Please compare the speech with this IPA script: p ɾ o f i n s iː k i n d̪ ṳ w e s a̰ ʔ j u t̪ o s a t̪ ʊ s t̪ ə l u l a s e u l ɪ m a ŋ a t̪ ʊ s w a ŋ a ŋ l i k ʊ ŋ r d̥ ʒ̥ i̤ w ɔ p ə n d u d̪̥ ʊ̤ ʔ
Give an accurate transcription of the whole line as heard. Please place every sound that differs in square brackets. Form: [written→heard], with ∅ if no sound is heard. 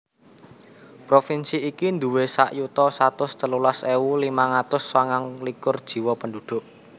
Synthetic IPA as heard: p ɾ o f i n s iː k i n d̪ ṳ w e s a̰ ʔ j u t̪ [o→ɔ] s a t̪ ʊ s t̪ ə l u l a s e u l [ɪ→i] m a ŋ a t̪ ʊ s w a ŋ a ŋ l i k ʊ [ŋ→∅] r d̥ ʒ̥ i̤ w ɔ p ə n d u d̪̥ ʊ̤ ʔ